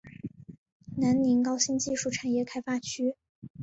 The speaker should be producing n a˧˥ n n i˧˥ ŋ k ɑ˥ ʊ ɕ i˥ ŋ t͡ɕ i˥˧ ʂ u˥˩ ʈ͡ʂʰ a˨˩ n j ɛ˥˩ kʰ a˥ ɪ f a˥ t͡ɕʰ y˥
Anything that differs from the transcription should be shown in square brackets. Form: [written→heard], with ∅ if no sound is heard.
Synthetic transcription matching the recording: n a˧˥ n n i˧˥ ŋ k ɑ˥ ʊ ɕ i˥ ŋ t͡ɕ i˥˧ ʂ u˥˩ ʈ͡ʂʰ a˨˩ n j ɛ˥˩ kʰ a˥ ɪ f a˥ t͡ɕʰ y˥

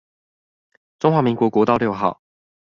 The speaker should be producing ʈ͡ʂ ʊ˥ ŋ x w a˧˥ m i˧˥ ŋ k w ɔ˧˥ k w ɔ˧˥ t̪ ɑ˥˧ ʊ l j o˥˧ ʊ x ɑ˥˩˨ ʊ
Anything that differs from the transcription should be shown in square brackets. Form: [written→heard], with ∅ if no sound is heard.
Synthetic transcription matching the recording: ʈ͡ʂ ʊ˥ ŋ x w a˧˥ m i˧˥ ŋ k w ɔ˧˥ k w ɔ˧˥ t̪ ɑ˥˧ ʊ l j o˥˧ ʊ x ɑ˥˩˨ ʊ

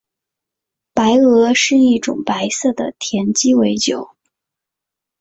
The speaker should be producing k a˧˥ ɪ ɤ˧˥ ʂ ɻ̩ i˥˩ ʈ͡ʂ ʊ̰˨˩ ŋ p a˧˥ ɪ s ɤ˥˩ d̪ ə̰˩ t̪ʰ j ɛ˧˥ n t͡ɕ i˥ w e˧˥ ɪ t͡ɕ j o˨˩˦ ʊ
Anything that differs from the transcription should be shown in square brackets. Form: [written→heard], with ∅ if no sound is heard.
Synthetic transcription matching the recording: [k→p] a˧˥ ɪ ɤ˧˥ ʂ ɻ̩ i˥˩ ʈ͡ʂ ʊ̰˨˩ ŋ p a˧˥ ɪ s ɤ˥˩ d̪ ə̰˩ t̪ʰ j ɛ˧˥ n t͡ɕ i˥ w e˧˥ ɪ t͡ɕ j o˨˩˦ ʊ

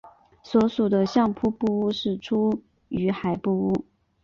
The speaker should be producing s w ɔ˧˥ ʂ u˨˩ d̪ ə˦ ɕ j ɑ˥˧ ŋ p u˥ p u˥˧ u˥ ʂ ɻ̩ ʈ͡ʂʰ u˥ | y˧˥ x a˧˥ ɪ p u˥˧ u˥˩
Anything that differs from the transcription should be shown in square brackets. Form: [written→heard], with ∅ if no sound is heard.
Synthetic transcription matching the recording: s w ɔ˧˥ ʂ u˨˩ d̪ ə˦ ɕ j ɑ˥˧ ŋ [p→pʰ] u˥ p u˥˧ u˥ ʂ ɻ̩ ʈ͡ʂʰ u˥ | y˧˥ x [a˧˥→a˨˩] ɪ p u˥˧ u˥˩

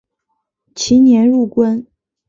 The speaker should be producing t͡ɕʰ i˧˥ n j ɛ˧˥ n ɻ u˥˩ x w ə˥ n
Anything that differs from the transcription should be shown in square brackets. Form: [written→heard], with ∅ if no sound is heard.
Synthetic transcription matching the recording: t͡ɕʰ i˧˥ n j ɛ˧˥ n ɻ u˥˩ [x→k] w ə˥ n

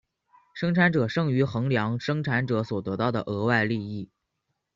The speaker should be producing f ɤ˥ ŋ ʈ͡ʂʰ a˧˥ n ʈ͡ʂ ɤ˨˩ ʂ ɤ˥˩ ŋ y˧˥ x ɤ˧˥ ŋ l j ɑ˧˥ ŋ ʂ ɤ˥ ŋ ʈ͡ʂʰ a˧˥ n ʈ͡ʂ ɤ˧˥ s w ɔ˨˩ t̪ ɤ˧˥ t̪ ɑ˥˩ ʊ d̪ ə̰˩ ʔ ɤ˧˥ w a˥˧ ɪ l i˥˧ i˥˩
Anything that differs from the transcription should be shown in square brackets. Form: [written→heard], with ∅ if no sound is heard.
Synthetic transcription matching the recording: [f→ʂ] ɤ˥ ŋ ʈ͡ʂʰ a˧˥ n ʈ͡ʂ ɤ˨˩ ʂ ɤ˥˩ ŋ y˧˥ x ɤ˧˥ ŋ l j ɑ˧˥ ŋ ʂ ɤ˥ ŋ ʈ͡ʂʰ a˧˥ n ʈ͡ʂ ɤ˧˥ s w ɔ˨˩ t̪ ɤ˧˥ t̪ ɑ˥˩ ʊ d̪ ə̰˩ ʔ ɤ˧˥ w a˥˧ ɪ l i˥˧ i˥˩

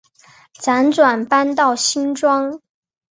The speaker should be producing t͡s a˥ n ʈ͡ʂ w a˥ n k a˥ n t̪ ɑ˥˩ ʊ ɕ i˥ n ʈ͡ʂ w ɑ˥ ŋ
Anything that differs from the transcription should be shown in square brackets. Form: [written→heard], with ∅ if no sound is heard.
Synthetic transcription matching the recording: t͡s [a˥→a˧˥] n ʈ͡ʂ w [a˥→a˨˩] n [k→p] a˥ n t̪ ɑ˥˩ ʊ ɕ i˥ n ʈ͡ʂ w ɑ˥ ŋ

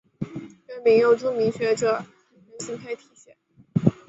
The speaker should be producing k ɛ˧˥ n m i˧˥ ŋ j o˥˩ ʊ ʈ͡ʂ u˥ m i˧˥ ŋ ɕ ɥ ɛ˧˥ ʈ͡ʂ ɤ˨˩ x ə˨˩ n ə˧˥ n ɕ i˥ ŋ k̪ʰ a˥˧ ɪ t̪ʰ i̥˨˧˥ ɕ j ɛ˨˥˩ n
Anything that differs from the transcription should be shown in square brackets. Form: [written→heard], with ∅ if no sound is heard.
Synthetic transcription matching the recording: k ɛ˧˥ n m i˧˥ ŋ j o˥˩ ʊ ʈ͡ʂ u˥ m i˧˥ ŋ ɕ ɥ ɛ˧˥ ʈ͡ʂ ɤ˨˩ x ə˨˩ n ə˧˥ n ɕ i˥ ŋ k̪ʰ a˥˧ ɪ t̪ʰ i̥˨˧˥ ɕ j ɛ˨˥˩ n

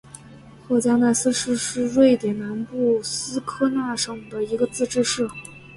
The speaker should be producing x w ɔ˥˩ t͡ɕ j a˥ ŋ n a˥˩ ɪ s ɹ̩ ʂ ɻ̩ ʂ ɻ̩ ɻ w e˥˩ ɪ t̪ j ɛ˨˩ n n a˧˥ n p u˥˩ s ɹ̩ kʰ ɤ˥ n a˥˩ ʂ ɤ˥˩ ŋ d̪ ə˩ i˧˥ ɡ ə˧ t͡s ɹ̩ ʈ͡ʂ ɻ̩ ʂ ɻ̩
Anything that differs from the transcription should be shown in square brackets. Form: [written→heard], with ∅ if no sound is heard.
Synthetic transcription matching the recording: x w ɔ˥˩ t͡ɕ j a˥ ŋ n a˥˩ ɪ s ɹ̩ ʂ ɻ̩ ʂ ɻ̩ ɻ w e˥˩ ɪ t̪ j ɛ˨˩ n n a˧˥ n p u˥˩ s ɹ̩ kʰ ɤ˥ n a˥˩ ʂ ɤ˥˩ ŋ d̪ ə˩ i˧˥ ɡ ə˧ t͡s ɹ̩ ʈ͡ʂ ɻ̩ ʂ ɻ̩

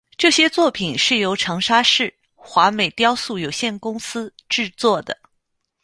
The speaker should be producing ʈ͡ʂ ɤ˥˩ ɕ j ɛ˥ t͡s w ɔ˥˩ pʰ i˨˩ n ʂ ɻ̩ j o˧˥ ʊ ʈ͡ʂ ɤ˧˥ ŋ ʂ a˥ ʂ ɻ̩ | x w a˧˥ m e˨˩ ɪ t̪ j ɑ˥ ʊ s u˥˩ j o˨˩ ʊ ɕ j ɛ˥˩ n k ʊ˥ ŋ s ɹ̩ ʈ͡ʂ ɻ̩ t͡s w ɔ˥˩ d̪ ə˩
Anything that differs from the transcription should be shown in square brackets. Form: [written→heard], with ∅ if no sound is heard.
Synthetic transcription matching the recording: ʈ͡ʂ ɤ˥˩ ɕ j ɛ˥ t͡s w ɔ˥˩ pʰ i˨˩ n ʂ ɻ̩ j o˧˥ ʊ [ʈ͡ʂ→ʈ͡ʂʰ] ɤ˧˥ ŋ ʂ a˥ ʂ ɻ̩ | x w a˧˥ m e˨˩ ɪ t̪ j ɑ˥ ʊ s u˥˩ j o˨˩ ʊ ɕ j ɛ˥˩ n k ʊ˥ ŋ s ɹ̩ ʈ͡ʂ ɻ̩ t͡s w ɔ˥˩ d̪ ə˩

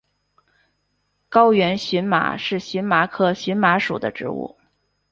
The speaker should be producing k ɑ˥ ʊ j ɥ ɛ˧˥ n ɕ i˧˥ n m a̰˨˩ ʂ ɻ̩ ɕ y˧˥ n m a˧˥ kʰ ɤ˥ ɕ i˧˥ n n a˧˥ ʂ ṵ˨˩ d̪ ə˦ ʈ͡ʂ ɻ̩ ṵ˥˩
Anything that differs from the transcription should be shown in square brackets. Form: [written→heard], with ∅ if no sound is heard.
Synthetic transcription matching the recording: k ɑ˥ ʊ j ɥ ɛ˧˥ n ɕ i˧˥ n m a̰˨˩ ʂ ɻ̩ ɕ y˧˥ n m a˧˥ kʰ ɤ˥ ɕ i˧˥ n [n→m] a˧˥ ʂ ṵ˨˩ d̪ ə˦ ʈ͡ʂ ɻ̩ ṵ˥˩

